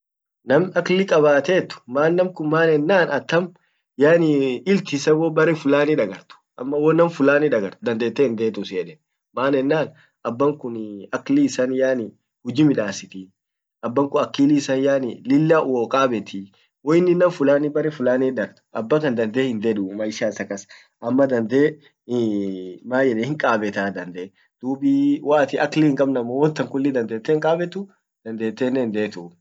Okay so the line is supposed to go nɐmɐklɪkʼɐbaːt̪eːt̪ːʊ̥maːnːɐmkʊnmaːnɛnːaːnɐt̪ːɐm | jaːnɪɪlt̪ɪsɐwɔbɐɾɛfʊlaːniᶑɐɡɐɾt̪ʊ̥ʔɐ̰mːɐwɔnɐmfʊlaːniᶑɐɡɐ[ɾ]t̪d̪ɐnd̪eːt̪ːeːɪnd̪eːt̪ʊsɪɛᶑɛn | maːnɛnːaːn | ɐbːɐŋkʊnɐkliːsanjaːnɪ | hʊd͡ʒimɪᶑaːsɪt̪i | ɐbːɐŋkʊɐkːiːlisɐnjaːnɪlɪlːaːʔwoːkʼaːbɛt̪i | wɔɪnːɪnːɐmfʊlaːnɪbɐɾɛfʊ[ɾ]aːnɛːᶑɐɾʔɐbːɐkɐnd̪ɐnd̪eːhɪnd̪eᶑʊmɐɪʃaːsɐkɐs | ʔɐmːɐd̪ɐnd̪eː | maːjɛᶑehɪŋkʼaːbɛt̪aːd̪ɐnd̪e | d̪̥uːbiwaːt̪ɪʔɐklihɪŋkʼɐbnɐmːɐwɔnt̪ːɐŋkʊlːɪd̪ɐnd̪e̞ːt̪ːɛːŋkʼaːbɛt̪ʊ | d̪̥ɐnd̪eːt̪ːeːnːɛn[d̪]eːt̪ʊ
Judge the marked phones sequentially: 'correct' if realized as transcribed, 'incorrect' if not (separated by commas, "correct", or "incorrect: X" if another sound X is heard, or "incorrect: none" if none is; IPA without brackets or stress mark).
correct, incorrect: l, correct